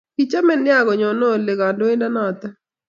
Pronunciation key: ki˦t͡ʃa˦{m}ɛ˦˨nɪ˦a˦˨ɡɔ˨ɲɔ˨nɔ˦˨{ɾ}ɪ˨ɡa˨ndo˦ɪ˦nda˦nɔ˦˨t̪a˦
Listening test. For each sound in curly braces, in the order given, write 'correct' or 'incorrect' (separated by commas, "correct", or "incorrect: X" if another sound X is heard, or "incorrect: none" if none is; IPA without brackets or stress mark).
correct, incorrect: l